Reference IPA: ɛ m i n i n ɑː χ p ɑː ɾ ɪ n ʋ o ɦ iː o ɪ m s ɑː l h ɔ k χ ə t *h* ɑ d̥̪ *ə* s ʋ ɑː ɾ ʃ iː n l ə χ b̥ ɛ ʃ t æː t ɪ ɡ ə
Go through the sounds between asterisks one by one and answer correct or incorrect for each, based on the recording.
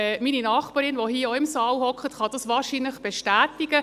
incorrect: χ, incorrect: ɑ

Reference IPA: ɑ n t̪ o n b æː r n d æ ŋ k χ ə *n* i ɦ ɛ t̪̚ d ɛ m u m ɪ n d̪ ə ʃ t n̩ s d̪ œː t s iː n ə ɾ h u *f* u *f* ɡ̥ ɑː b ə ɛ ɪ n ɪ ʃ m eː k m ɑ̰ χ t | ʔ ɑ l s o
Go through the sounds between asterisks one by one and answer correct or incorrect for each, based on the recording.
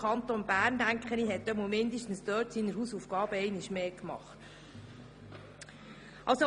correct, incorrect: s, correct

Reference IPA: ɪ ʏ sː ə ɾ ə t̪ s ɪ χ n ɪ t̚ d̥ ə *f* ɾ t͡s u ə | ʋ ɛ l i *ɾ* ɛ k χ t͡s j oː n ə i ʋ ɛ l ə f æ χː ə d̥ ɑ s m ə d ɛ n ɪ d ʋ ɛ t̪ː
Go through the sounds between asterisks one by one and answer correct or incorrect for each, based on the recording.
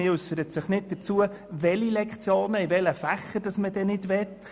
incorrect: none, incorrect: l

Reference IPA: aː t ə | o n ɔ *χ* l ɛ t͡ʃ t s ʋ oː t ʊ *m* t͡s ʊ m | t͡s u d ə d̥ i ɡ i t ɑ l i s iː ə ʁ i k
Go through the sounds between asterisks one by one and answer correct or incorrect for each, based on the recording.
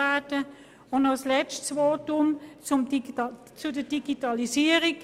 incorrect: s, correct

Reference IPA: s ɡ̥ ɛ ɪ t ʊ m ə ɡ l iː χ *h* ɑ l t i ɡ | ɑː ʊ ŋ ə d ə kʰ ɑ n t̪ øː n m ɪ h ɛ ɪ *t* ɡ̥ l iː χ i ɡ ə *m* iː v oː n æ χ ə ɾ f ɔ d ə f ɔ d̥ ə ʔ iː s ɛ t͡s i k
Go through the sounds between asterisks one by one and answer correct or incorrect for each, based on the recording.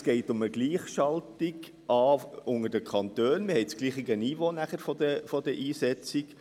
incorrect: ʃ, incorrect: t͡s, incorrect: n

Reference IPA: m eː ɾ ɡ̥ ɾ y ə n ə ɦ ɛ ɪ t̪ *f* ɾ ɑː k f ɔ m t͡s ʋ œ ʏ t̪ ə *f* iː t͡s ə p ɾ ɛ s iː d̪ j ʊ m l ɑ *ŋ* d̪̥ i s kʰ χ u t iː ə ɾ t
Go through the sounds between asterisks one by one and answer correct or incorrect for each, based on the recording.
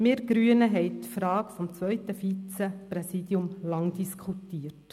correct, correct, correct

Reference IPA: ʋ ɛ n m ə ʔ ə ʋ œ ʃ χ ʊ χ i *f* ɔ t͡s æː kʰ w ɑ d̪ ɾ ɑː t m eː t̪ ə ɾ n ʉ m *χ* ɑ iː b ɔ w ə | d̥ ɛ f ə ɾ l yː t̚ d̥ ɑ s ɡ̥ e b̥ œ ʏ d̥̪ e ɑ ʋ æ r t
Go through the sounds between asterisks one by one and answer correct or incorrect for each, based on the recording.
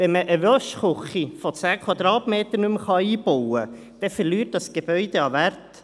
correct, correct

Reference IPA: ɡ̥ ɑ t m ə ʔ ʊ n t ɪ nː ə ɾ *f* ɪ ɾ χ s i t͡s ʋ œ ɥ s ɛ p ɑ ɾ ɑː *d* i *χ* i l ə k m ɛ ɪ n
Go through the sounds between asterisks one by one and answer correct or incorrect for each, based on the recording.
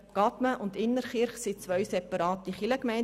incorrect: χ, incorrect: t, correct

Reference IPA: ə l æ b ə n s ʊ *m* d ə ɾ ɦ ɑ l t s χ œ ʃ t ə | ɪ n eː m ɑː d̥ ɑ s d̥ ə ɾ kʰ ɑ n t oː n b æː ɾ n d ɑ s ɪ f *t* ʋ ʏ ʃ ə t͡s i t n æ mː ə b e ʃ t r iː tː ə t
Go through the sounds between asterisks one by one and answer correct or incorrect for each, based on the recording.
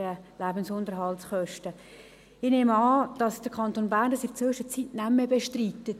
incorrect: n, incorrect: t͡s

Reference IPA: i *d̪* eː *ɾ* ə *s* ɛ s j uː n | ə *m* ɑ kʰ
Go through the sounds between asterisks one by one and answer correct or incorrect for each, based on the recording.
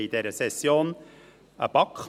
correct, correct, correct, incorrect: b

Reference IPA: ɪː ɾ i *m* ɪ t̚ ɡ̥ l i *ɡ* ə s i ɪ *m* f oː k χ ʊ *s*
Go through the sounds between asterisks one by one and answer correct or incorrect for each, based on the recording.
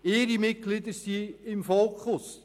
correct, incorrect: d, correct, correct

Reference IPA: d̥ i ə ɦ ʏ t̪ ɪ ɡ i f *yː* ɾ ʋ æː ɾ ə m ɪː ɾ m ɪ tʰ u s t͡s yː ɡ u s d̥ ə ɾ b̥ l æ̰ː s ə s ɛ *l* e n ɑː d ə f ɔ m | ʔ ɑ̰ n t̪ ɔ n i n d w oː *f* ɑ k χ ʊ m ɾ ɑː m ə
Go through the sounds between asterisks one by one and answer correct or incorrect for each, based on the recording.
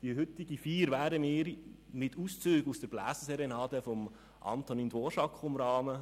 incorrect: iː, incorrect: ɾ, incorrect: ʃ

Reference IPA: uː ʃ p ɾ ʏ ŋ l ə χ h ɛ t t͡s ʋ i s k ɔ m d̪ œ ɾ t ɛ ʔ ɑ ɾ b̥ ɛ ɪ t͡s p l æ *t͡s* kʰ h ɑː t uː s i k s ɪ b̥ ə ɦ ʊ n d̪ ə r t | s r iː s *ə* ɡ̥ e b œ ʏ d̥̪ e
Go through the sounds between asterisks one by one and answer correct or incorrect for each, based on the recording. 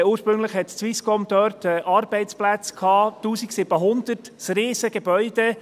correct, correct

